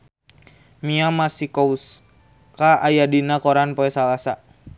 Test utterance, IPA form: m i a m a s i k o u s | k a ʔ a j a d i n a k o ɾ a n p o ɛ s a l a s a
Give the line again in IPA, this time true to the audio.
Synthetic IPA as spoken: m i a m a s i k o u s | k a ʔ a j a d i n a k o ɾ a n p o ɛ s a l a s a